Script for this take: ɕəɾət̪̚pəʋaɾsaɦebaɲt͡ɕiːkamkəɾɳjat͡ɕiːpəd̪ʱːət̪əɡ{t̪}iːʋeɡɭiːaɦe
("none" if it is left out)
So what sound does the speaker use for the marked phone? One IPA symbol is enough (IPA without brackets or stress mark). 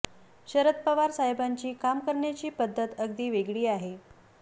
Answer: d̪